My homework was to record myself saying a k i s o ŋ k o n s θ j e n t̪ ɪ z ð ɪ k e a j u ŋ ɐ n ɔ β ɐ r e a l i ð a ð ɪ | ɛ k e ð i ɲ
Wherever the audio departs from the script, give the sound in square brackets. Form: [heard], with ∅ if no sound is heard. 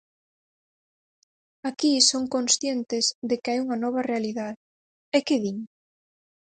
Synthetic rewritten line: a k i s o ŋ k o n s θ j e n t̪ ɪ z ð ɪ k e a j u ŋ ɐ n ɔ β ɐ r e a l i ð a ð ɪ | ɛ k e ð i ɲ